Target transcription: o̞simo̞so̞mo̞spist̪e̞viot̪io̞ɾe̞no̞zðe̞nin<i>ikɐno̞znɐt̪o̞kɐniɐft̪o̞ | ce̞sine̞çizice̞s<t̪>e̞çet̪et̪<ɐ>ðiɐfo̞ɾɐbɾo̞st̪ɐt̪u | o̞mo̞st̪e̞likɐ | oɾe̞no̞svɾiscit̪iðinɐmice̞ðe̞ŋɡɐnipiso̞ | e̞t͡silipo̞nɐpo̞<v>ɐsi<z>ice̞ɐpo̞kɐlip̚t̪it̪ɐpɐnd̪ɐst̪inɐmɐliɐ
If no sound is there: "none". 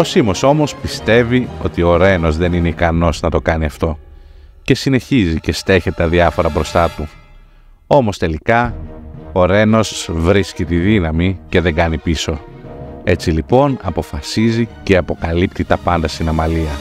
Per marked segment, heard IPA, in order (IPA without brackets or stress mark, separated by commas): e, t̪, ɐ, f, z